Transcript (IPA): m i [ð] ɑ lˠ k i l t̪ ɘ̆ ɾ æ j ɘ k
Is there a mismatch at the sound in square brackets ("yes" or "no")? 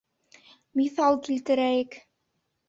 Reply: yes